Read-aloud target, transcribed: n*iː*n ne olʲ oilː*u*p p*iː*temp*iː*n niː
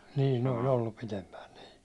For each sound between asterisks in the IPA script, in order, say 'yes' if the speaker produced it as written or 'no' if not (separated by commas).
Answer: yes, yes, no, no